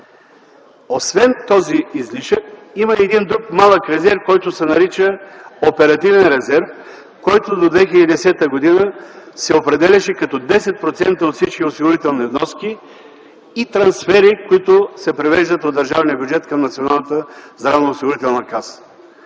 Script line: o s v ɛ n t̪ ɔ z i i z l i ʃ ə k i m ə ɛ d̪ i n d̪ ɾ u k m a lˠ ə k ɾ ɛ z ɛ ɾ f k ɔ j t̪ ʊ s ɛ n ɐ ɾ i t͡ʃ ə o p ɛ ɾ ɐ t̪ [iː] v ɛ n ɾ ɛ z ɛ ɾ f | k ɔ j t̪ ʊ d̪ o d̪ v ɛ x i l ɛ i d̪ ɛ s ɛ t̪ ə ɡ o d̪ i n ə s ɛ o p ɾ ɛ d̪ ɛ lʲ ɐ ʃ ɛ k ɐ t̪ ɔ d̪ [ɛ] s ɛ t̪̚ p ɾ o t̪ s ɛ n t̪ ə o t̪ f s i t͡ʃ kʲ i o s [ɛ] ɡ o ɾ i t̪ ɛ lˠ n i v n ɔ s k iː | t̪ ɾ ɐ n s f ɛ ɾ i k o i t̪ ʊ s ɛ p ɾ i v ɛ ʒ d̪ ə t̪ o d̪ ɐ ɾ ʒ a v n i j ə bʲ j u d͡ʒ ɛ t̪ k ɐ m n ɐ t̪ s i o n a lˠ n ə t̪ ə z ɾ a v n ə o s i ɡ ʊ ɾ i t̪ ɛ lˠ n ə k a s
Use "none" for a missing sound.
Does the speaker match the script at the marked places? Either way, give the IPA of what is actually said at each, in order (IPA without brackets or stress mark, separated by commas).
i, ɛ, i